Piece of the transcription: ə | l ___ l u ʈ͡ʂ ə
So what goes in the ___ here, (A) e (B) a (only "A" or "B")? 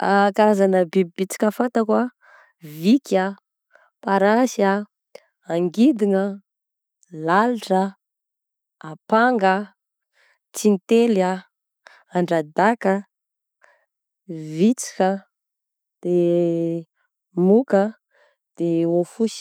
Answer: B